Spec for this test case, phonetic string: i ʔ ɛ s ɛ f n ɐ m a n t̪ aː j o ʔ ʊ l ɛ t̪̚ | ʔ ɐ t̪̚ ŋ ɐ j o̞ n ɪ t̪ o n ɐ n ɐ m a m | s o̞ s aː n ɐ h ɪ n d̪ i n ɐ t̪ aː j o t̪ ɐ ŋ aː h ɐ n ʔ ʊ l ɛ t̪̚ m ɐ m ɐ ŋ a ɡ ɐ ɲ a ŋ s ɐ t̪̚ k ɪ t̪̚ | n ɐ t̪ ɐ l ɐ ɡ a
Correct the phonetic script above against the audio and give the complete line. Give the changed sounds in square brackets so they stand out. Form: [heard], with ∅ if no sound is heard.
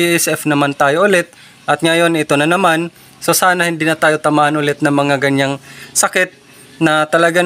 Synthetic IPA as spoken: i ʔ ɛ s ɛ f n ɐ m a n t̪ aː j o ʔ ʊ l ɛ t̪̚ | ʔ ɐ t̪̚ ŋ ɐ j o̞ n ɪ t̪ o n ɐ n ɐ m a [n] | s o̞ s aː n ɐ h ɪ n d̪ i n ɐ t̪ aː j o t̪ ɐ [m] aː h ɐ n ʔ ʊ l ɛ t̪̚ [n] ɐ m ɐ ŋ a ɡ ɐ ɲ a ŋ s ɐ [∅] k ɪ t̪̚ | n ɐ t̪ ɐ l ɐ ɡ a